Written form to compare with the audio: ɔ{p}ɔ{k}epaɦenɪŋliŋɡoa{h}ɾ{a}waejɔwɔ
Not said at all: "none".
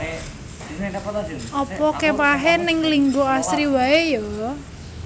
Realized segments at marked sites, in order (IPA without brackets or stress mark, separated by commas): p, k, s, i